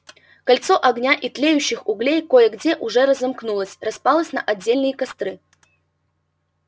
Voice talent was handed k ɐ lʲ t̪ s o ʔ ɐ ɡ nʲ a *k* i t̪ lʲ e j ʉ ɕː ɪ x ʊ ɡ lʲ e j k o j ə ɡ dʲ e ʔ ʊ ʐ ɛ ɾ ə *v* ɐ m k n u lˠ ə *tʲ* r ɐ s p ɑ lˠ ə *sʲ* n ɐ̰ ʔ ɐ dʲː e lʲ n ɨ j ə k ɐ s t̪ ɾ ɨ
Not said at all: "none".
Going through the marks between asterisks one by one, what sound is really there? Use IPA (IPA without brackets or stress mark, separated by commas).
ʔ, z, sʲ, sʲ